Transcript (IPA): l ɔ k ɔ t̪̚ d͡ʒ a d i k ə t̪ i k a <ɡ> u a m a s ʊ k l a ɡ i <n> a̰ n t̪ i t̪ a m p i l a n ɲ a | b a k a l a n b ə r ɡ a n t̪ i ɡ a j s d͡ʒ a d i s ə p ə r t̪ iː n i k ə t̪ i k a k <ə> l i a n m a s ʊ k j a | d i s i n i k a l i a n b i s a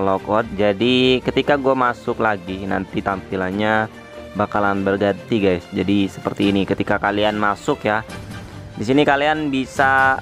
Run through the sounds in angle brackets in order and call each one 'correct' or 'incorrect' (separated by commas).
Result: correct, correct, incorrect